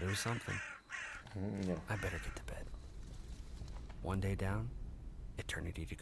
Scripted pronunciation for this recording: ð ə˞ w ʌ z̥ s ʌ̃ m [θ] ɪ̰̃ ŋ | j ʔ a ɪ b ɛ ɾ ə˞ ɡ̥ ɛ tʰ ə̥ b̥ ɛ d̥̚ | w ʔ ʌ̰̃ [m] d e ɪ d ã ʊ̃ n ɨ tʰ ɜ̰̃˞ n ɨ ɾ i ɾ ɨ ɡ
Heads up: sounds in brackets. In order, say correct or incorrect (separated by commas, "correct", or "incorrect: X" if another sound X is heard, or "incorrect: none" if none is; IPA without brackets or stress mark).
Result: correct, incorrect: n